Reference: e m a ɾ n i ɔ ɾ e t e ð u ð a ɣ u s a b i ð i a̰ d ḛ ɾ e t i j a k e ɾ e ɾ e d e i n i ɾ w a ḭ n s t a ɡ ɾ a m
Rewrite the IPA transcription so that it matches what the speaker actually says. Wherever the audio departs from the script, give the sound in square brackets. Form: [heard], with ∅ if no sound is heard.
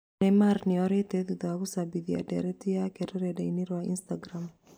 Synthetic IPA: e m a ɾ n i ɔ ɾ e t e ð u ð a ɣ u s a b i ð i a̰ d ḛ ɾ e t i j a k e ɾ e ɾ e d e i n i ɾ w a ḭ n s t a ɡ ɾ a m